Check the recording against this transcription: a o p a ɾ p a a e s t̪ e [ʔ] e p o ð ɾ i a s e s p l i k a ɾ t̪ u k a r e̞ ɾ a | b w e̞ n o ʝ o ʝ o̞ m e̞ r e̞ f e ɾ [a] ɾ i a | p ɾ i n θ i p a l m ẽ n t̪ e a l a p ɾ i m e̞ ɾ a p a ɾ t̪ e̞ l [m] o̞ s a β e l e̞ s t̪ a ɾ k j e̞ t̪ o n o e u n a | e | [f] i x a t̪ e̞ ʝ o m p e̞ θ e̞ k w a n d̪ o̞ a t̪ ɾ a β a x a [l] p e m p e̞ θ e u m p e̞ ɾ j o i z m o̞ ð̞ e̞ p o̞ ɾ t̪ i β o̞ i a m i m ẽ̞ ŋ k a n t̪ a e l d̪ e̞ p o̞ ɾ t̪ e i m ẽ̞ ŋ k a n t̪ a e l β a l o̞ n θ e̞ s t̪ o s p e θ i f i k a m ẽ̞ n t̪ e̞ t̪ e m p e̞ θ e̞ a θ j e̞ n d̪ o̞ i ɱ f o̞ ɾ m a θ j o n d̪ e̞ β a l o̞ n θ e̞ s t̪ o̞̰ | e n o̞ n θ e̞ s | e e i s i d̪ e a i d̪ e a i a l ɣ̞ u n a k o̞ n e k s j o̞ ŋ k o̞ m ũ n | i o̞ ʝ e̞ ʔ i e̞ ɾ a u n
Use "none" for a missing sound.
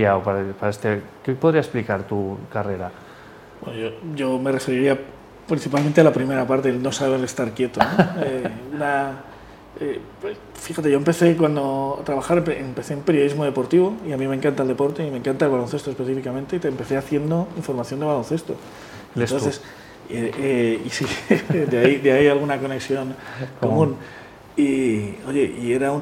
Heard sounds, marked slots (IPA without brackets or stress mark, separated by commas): k, i, n, f, ɾ